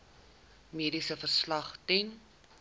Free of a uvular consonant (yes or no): no